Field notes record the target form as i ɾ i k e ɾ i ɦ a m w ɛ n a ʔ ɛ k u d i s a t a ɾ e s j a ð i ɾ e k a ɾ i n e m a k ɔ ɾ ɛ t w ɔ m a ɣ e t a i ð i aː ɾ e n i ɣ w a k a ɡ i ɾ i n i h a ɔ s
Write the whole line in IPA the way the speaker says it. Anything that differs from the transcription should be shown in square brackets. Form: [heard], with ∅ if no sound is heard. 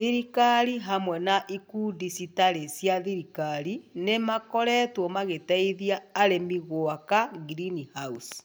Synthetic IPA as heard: i ɾ i k [a] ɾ i ɦ a m w ɛ n a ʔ [i] k u d i s [i] t a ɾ e s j a ð i ɾ [i] k a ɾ i n e m a k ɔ ɾ ɛ t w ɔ m a ɣ e t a i ð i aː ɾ e [m] i ɣ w a k a ɡ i ɾ i n i h a [u] s